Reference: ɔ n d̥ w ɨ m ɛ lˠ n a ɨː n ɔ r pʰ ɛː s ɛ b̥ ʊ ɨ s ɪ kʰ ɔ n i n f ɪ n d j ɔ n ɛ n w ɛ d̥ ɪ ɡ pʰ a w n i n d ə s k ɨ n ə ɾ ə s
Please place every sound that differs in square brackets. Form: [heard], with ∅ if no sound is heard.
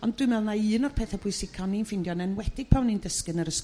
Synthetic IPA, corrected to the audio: ɔ n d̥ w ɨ m ɛ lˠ n a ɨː n ɔ r pʰ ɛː [θ] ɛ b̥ ʊ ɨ s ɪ kʰ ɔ n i n f ɪ n d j ɔ n ɛ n w ɛ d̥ ɪ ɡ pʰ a w n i n d ə s k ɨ n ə ɾ ə s